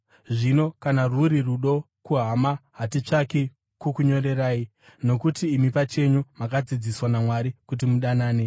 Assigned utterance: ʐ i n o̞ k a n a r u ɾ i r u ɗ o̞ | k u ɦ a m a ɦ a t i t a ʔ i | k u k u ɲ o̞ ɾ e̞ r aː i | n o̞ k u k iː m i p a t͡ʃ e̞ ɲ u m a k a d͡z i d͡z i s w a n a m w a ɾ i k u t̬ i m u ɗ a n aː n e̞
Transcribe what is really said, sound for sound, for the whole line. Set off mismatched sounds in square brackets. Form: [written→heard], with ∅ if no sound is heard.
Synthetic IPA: ʐ i n o̞ k a n a r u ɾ i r u ɗ o̞ | k u ɦ a m a ɦ a t i [t→t͡ʂ] a [ʔ→k] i | k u k u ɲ o̞ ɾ e̞ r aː i | n o̞ k u [k→t] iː m i p a t͡ʃ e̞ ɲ u m a k a d͡z i d͡z i s w a n a m w a ɾ i k u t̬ i m u ɗ a n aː n e̞

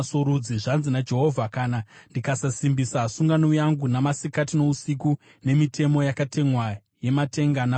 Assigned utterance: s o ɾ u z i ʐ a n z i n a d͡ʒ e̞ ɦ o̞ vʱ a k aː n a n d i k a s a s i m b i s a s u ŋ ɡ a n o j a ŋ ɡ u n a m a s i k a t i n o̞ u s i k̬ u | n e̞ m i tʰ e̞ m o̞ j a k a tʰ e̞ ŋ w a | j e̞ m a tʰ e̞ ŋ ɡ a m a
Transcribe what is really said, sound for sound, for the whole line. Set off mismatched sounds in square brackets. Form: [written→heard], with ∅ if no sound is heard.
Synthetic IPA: s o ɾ u [z→d͡z] i ʐ a n z i n a d͡ʒ e̞ ɦ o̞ vʱ a k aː n a n d i k a s a s i m b i s a s u ŋ ɡ a n o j a ŋ ɡ u n a m a s i k a t i n o̞ u s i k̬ u | n e̞ m i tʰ e̞ m o̞ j a k a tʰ e̞ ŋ w a | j e̞ m a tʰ e̞ ŋ ɡ a [m→n] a

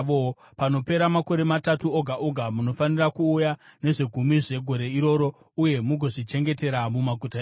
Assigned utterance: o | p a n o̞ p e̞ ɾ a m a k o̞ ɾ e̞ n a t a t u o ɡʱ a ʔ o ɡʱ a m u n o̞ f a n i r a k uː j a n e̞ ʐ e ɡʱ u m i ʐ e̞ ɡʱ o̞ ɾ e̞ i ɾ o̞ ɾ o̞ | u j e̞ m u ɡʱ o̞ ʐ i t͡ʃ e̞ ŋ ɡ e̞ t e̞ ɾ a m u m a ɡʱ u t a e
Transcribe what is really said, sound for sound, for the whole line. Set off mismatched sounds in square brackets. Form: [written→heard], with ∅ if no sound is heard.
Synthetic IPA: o | p a n o̞ p e̞ ɾ a m a k o̞ ɾ e̞ [n→m] a t a t u o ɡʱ a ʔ o ɡʱ a m u n o̞ f a n i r a k uː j a n e̞ ʐ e ɡʱ u m i ʐ e̞ ɡʱ o̞ ɾ e̞ i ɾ o̞ ɾ o̞ | u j e̞ m u ɡʱ o̞ ʐ i t͡ʃ e̞ ŋ ɡ e̞ t e̞ ɾ a m u m a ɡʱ u t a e

